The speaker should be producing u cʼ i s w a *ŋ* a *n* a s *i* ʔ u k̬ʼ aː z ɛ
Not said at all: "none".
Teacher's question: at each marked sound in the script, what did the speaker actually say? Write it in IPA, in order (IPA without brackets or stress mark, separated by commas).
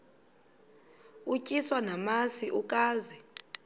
n, m, i